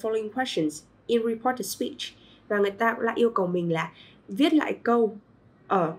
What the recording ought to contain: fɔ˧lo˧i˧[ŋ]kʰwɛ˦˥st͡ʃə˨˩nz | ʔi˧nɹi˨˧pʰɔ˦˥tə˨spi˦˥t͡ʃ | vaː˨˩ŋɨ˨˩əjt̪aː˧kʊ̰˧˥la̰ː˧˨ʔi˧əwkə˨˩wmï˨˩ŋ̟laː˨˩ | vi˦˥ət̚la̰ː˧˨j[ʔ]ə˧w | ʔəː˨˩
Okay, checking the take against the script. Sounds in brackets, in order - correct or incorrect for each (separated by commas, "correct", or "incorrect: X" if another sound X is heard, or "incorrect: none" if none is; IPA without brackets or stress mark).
correct, incorrect: k